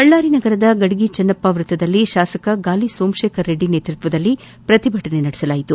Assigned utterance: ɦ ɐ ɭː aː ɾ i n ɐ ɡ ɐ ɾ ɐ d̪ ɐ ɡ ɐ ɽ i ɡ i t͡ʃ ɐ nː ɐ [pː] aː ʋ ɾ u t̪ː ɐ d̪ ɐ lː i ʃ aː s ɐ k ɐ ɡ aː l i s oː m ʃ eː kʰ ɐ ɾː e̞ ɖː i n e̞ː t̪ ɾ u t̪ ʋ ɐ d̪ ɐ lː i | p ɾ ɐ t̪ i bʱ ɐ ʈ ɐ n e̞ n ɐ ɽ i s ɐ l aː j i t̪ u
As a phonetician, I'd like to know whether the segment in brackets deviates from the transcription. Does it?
no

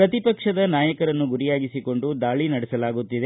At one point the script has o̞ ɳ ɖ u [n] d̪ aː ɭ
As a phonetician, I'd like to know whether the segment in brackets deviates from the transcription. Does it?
yes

